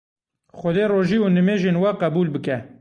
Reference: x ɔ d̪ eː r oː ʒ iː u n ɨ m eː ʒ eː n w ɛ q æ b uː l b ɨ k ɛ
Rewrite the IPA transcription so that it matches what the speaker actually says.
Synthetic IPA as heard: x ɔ d̪ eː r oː ʒ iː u n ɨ m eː ʒ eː n w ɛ q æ b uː l b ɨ k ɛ